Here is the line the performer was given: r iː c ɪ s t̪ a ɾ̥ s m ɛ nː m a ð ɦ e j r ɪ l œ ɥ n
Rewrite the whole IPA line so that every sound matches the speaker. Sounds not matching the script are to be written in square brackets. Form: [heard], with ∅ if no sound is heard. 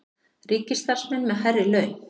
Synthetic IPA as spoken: r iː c ɪ s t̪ a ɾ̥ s m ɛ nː m [ɛ] ð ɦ [a] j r ɪ l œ ɥ n